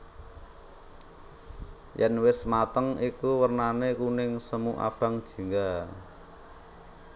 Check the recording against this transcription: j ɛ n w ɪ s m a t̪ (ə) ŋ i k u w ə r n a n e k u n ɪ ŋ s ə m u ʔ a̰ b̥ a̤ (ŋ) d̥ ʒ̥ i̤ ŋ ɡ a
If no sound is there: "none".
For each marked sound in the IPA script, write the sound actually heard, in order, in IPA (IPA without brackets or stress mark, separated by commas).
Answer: ə, ŋ